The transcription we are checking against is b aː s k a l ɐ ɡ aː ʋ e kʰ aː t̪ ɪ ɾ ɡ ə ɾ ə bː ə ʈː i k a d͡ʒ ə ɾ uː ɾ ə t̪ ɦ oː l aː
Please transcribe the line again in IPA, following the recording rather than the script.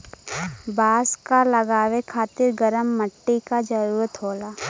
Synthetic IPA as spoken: b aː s k a l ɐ ɡ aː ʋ e kʰ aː t̪ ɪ ɾ ɡ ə ɾ ə mː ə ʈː i k a d͡ʒ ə ɾ uː ɾ ə t̪ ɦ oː l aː